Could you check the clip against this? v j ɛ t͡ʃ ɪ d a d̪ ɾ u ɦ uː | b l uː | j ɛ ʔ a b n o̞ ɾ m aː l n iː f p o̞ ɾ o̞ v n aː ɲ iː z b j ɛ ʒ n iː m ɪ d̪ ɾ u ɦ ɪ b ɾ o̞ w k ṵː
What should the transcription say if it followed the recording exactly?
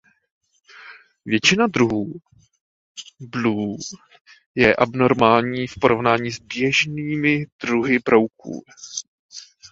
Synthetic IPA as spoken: v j ɛ t͡ʃ ɪ n a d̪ ɾ u ɦ uː | b l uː | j ɛ ʔ a b n o̞ ɾ m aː l ɲ iː f p o̞ ɾ o̞ v n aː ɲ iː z b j ɛ ʒ n iː m ɪ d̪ ɾ u ɦ ɪ b ɾ o̞ w k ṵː